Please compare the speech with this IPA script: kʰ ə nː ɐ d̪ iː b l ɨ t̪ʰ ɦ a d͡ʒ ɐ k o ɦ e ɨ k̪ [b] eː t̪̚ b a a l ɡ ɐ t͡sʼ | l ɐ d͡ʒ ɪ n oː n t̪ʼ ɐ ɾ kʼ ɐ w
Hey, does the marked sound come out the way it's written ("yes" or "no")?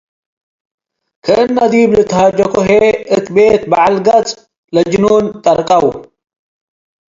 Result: yes